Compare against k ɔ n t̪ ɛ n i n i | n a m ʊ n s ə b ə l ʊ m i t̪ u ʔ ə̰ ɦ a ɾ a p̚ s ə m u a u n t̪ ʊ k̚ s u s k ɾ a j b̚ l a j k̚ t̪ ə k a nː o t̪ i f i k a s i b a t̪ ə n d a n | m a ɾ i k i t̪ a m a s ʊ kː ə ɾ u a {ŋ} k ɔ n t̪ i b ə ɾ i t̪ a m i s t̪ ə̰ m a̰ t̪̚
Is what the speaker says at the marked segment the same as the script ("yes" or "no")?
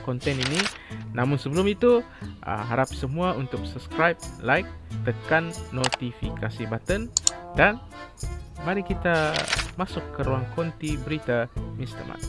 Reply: yes